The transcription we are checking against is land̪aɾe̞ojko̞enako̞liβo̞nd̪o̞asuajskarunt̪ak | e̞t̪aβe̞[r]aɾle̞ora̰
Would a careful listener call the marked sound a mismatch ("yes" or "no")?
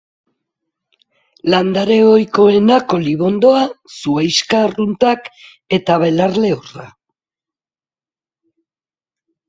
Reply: yes